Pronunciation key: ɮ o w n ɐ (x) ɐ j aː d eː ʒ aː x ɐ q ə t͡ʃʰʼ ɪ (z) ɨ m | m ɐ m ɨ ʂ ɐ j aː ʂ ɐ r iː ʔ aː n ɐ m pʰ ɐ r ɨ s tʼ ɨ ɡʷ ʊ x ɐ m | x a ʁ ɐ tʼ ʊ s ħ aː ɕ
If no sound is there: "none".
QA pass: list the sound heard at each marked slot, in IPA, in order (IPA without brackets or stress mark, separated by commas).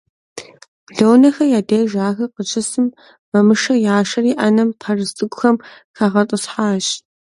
x, s